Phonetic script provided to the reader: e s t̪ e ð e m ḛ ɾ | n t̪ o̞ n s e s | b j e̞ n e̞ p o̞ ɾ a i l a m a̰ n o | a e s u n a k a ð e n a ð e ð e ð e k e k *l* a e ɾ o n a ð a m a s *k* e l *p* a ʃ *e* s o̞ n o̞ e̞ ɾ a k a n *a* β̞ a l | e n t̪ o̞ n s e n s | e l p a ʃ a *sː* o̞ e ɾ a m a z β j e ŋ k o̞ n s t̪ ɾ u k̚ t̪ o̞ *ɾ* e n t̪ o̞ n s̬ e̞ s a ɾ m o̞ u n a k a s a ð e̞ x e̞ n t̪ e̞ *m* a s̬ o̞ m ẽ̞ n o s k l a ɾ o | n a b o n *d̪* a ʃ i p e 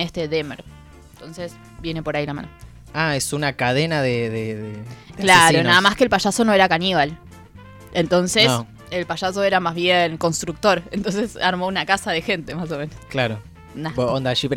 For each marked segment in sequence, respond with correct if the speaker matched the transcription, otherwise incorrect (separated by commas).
correct, correct, correct, incorrect, incorrect, incorrect, correct, correct, correct